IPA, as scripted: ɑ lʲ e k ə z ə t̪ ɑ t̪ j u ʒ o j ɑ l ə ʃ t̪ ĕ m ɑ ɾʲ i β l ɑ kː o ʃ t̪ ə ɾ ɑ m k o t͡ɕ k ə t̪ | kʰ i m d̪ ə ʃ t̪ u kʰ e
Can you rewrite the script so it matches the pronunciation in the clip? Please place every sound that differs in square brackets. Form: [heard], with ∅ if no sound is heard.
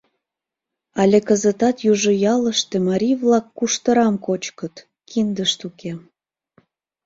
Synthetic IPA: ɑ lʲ e k ə z ə t̪ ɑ t̪ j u ʒ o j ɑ l ə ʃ t̪ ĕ m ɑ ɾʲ i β l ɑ kː [u] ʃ t̪ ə ɾ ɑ m k o t͡ɕ k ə t̪ | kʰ i [n] d̪ ə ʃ t̪ u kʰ e